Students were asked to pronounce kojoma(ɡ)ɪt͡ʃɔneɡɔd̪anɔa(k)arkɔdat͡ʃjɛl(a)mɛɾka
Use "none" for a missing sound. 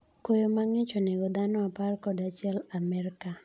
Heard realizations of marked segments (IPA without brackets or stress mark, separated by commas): ŋ, p, a